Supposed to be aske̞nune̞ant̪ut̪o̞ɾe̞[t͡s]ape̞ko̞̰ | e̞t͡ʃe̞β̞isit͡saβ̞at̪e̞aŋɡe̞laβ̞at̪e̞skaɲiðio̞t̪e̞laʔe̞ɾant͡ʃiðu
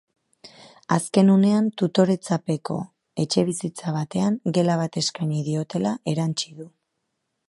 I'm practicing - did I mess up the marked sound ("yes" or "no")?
no